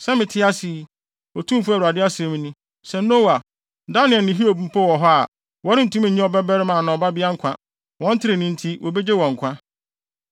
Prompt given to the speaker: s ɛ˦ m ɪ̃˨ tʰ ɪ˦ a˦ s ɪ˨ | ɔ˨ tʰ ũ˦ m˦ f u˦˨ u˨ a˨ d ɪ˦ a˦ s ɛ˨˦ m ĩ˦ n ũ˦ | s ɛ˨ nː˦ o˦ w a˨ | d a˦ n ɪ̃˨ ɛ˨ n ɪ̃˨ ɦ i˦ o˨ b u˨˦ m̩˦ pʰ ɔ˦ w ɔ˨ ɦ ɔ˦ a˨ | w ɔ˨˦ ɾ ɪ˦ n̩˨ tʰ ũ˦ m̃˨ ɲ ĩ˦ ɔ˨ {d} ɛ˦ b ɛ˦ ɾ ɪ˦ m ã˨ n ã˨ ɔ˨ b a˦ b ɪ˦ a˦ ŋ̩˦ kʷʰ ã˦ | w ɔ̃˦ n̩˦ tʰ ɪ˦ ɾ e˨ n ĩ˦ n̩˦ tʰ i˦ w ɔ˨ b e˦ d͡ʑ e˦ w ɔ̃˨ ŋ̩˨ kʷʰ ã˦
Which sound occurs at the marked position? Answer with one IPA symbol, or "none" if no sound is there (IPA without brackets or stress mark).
b